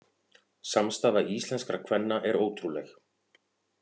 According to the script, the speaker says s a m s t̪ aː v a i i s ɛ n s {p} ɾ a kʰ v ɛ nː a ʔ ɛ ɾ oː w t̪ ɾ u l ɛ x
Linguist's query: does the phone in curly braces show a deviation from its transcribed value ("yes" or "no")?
yes